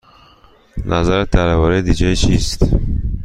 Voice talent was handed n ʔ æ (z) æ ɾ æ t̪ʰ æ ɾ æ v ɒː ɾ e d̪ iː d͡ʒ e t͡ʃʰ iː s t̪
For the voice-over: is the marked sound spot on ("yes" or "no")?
yes